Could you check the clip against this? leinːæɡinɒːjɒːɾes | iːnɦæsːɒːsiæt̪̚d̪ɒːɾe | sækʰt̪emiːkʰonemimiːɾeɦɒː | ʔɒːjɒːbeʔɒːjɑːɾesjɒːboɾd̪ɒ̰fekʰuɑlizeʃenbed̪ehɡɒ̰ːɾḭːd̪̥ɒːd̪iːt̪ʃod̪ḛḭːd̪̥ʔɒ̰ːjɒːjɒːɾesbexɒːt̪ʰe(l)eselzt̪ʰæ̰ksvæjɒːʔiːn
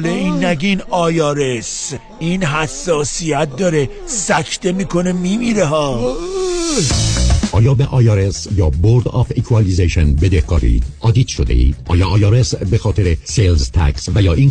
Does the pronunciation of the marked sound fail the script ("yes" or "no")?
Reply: yes